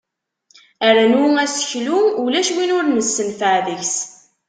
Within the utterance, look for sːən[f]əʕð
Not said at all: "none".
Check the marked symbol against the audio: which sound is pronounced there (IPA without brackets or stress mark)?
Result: f